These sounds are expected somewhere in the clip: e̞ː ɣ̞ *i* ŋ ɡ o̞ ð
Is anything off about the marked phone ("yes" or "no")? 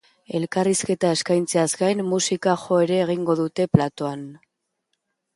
no